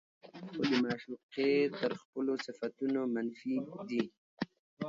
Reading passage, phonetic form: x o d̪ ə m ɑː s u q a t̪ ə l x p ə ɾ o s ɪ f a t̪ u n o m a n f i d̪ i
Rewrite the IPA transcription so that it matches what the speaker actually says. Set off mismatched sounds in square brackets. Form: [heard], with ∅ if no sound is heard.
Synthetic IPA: x o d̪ ə m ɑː [ʃ] u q [e] t̪ ə [ɾ] x p ə [l] o s ɪ f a t̪ u n o m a n f i d̪ i